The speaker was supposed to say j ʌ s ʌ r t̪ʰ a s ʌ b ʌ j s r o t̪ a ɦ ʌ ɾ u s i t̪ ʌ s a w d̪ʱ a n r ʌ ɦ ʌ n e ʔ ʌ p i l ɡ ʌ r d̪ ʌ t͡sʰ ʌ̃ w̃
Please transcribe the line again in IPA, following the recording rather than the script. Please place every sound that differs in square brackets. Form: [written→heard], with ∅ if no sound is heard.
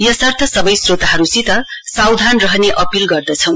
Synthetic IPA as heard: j ʌ s ʌ r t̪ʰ [a→ʌ] s ʌ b ʌ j s r o t̪ a ɦ ʌ ɾ u s i t̪ ʌ s a w d̪ʱ a n r ʌ ɦ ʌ n e ʔ ʌ p i l ɡ ʌ r d̪ ʌ t͡sʰ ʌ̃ w̃

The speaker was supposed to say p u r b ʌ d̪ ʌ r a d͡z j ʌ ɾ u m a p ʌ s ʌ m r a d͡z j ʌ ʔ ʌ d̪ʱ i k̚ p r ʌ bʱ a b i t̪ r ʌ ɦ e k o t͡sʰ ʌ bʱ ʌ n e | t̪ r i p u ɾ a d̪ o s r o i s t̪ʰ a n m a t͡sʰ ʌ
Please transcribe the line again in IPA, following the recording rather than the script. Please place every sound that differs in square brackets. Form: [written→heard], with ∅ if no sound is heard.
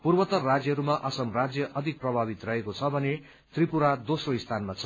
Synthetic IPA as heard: p u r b ʌ [d̪→t̪] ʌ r a d͡z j ʌ ɾ u m a [p→ʔ] ʌ s ʌ m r a d͡z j ʌ ʔ ʌ d̪ʱ i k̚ p r ʌ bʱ a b i t̪ r ʌ ɦ e k o t͡sʰ ʌ bʱ ʌ n e | t̪ r i p u ɾ a d̪ o s r o i s t̪ʰ a n m a t͡sʰ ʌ

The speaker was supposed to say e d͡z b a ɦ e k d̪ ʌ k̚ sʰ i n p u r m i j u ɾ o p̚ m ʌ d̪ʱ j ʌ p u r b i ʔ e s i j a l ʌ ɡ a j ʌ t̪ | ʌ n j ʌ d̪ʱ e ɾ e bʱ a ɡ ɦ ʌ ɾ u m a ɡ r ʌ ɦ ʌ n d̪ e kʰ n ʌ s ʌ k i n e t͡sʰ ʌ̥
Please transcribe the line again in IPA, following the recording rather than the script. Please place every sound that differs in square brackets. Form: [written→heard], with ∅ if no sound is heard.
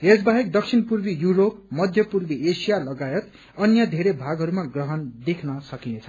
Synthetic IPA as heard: e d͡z b a ɦ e k d̪ ʌ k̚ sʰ i n p u r [m→b] i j u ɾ o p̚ m ʌ d̪ʱ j ʌ p u r b i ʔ e s i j a l ʌ ɡ a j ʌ t̪ | ʌ n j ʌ d̪ʱ e ɾ e bʱ a ɡ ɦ ʌ ɾ u m a ɡ r ʌ ɦ ʌ n d̪ e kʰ n ʌ s ʌ k i n e t͡sʰ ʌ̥

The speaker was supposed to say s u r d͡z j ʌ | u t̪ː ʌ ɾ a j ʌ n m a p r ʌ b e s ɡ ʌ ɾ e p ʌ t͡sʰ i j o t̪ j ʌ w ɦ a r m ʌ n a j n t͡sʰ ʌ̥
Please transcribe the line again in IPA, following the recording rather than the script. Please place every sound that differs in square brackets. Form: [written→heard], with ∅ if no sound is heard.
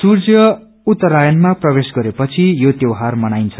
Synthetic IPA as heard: s u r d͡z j ʌ | u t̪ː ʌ ɾ a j ʌ n m a p r ʌ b e s ɡ ʌ ɾ e p ʌ t͡sʰ i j o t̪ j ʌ w ɦ a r m ʌ n a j n t͡sʰ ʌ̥

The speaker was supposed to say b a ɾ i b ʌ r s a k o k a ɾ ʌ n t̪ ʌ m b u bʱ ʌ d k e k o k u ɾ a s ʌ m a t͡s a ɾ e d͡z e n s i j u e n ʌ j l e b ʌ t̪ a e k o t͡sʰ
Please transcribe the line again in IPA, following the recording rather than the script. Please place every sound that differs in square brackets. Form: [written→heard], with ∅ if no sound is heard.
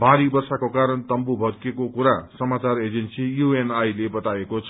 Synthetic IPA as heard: b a ɾ i b ʌ r s a k o k a ɾ ʌ n t̪ ʌ m b u bʱ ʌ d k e k o k u ɾ a s ʌ m a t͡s a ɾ e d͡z e n s i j u e n [ʌ→a] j l e b ʌ t̪ a e k o t͡sʰ

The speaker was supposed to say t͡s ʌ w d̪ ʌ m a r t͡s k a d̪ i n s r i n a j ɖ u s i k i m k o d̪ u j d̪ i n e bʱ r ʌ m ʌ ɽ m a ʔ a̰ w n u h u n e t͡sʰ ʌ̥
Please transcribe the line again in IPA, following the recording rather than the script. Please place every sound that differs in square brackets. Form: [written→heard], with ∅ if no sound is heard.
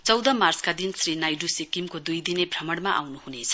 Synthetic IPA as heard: t͡s ʌ w d̪ ʌ m a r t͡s k a d̪ i n s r i n a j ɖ u s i k i m k o d̪ u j d̪ i n e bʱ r ʌ m ʌ ɽ m a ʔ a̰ w n u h u n e t͡sʰ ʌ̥

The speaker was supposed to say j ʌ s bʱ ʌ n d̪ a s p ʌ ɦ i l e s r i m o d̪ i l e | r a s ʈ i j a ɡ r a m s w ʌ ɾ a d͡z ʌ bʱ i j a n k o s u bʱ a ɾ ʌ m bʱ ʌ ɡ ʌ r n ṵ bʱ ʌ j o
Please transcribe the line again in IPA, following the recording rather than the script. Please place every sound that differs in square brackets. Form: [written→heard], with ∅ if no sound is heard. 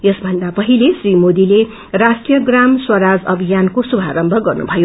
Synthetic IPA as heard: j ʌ s bʱ ʌ n d̪ a [s→∅] p ʌ ɦ i l e s r i m o d̪ i l e | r a s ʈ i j [a→ʌ] ɡ r a m s w ʌ ɾ a d͡z ʌ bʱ i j a n k o s u bʱ a ɾ ʌ m bʱ ʌ ɡ ʌ r n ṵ bʱ ʌ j o

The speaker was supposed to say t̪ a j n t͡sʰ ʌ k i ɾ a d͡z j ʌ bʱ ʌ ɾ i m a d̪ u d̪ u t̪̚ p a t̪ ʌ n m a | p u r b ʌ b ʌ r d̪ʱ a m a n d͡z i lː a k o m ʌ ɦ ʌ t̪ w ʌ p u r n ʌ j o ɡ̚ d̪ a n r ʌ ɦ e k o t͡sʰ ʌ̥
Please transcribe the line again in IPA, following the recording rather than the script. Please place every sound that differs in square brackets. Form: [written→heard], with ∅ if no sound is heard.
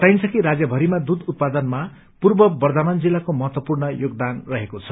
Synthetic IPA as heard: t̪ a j n t͡sʰ ʌ k i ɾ a d͡z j ʌ bʱ ʌ ɾ i m a d̪ u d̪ u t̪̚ p a [t̪→d̪] ʌ n m a | p u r b ʌ b ʌ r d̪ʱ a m a n d͡z i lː a k o m ʌ ɦ ʌ t̪ w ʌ p u r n ʌ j o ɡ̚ d̪ a n r ʌ ɦ e k o t͡sʰ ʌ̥

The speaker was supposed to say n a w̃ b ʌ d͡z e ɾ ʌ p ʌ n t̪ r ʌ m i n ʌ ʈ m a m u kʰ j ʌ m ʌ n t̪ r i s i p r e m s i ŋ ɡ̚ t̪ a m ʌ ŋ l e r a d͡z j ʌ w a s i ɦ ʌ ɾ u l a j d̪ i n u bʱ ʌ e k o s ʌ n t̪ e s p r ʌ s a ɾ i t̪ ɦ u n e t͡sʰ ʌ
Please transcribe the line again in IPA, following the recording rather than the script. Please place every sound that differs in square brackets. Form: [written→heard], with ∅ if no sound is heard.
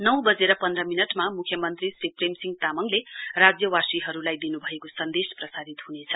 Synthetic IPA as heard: n [a→ʌ] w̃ b ʌ d͡z e ɾ ʌ p ʌ n [t̪→d̪] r ʌ m i n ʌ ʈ m a m u kʰ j ʌ m ʌ n t̪ r i s i p r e m s i ŋ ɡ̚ t̪ a m ʌ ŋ l e r a d͡z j ʌ w a s i ɦ ʌ ɾ u l a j d̪ i n u bʱ ʌ e k o s ʌ n [t̪→d̪] e s p r ʌ s a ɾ i t̪ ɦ u n e t͡sʰ ʌ

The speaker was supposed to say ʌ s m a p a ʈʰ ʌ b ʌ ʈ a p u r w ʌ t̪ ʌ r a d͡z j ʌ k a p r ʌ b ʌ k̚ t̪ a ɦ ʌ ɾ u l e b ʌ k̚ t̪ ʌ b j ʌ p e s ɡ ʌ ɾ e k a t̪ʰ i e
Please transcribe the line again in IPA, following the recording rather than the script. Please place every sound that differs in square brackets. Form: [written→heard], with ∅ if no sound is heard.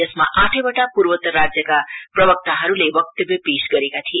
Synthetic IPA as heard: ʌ s m a [p→ʔ] a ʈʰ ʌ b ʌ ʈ a p u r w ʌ t̪ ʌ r a d͡z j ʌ k a p r ʌ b ʌ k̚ t̪ a ɦ ʌ ɾ u l e b ʌ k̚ t̪ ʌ b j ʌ p e s ɡ ʌ ɾ e k a t̪ʰ i e

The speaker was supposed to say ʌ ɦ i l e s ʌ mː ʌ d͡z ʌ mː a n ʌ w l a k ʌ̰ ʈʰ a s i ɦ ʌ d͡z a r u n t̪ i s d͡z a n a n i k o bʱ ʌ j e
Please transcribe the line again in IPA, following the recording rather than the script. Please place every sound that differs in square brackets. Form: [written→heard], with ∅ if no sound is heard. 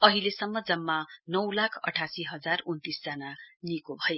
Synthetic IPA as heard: ʌ ɦ i l e s ʌ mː ʌ d͡z ʌ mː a n ʌ w l a [k→kʰ] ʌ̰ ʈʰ a s i ɦ ʌ d͡z a r u n t̪ i s d͡z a n a n i k o bʱ ʌ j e

